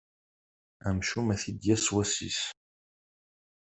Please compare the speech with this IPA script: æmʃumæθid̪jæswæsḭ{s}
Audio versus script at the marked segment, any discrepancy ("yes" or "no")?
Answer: no